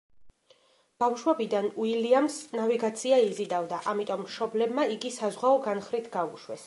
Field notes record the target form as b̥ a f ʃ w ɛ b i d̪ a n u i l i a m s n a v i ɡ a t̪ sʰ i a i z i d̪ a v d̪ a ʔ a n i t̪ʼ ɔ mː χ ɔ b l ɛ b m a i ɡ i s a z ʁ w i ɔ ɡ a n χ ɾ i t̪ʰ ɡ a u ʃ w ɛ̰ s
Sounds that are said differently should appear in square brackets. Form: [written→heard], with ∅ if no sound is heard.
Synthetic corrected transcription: b̥ a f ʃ w ɛ b i d̪ a n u i l i a m s n a v i ɡ a t̪ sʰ i a i z i d̪ a v d̪ a ʔ a [n→m] i t̪ʼ ɔ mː [χ→ʃ] ɔ b l ɛ b m a i ɡ i s a z ʁ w [i→a] ɔ ɡ a n χ ɾ i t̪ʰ ɡ a u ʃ w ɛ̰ s